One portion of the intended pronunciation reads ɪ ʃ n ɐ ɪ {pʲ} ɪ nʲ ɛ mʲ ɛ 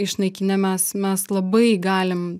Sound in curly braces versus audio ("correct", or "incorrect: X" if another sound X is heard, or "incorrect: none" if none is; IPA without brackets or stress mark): incorrect: kʲ